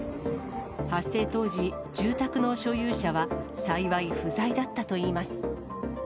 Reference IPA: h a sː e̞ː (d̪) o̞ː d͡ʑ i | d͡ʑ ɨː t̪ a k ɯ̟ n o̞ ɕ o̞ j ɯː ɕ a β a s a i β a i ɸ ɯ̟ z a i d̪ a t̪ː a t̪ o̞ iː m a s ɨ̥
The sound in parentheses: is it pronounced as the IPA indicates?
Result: no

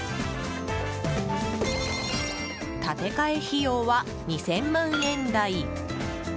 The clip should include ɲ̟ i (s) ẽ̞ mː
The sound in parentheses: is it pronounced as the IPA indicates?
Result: yes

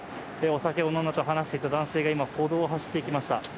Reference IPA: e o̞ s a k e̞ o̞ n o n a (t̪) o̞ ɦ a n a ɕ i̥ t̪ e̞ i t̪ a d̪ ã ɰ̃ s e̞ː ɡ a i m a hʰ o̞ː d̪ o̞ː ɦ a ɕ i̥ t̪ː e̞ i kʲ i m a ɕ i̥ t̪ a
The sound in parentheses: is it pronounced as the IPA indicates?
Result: yes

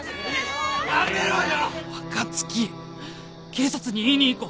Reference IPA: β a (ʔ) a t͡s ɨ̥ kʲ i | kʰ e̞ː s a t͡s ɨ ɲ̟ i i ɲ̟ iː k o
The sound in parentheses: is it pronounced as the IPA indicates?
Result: no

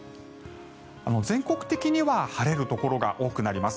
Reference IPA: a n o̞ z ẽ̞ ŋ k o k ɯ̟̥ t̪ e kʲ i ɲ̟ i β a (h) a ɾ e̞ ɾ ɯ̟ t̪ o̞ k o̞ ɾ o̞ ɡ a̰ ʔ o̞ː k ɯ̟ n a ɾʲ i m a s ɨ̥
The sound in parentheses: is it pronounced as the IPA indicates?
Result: yes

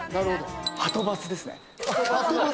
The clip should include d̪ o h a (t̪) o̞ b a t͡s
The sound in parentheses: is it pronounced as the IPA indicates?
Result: yes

